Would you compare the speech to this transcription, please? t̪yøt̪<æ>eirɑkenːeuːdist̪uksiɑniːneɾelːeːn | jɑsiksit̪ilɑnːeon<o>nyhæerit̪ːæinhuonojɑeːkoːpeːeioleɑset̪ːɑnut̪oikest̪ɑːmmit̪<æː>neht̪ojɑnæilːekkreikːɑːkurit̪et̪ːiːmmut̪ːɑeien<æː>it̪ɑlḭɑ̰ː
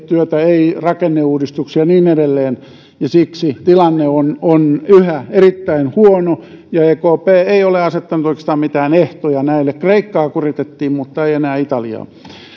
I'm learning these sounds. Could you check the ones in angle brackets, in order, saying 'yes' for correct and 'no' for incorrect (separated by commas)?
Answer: yes, yes, yes, yes